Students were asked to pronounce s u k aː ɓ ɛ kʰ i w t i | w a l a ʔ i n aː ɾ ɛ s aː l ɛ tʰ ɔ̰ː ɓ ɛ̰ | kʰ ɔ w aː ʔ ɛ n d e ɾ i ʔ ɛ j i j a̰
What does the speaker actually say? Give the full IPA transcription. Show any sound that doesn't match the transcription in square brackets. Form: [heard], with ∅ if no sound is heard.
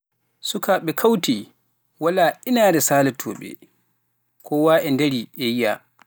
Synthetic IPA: s u k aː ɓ ɛ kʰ [a] w t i | w a l a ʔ i n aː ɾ ɛ s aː l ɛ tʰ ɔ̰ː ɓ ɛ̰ | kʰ ɔ w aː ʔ ɛ n d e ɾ i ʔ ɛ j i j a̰